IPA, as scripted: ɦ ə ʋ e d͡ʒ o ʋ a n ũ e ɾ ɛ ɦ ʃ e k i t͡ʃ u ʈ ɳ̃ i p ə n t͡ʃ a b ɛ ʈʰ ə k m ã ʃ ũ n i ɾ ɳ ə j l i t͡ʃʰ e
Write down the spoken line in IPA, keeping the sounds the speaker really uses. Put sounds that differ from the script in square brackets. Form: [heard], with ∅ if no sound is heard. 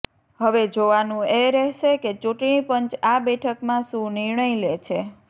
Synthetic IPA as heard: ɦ ə ʋ e d͡ʒ o ʋ a n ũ e ɾ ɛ ɦ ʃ e k [e] t͡ʃ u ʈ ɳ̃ i p ə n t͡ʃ a b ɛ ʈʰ ə k m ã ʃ ũ n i ɾ ɳ ə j l [e] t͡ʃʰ e